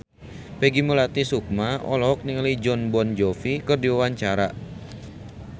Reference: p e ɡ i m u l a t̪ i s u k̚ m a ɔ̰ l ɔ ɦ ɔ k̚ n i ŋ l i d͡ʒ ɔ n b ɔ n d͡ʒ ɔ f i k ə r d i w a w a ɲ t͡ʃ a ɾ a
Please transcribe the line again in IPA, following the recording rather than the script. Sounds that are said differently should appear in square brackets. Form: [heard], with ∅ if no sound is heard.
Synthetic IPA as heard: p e ɡ i m u l a t̪ i s u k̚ m a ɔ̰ l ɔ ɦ ɔ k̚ n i ŋ l i d͡ʒ ɔ n b ɔ n d͡ʒ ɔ f i k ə r d i w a w a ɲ t͡ʃ a ɾ a